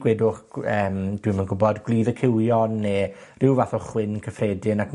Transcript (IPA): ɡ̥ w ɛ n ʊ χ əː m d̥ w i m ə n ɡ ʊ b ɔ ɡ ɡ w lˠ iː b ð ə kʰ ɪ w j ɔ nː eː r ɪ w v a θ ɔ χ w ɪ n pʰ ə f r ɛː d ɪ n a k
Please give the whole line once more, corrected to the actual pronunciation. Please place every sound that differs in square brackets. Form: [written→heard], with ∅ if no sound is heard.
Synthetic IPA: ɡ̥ w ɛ [n→d] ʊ χ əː m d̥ w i m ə n ɡ ʊ b ɔ [ɡ→d] ɡ w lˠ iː [b→∅] ð ə kʰ ɪ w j ɔ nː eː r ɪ w v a θ ɔ χ w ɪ n [pʰ→kʰ] ə f r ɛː d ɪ n a k